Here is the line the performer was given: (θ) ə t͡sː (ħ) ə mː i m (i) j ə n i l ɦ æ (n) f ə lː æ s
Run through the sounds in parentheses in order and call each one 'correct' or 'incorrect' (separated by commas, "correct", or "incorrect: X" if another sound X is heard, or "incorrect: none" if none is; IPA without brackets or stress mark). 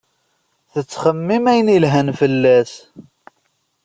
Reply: correct, incorrect: χ, incorrect: æ, correct